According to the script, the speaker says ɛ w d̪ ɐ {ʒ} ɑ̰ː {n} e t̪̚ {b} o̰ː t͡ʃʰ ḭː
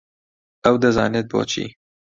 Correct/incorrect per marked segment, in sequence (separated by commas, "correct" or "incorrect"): incorrect, correct, correct